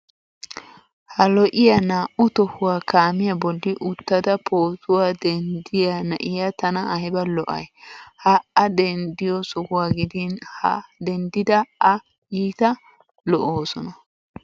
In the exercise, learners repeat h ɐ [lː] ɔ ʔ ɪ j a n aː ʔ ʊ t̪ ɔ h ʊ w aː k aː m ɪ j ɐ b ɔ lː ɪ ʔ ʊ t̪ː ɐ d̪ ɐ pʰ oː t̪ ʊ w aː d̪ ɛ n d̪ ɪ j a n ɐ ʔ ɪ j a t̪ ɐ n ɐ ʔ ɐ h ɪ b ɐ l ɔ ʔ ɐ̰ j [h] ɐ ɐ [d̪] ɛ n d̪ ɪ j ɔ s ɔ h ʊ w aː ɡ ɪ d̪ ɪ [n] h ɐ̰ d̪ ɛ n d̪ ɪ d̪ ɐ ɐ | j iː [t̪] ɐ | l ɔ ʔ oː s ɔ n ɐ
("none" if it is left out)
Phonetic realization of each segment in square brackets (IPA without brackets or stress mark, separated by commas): l, h, d̪, n, t̪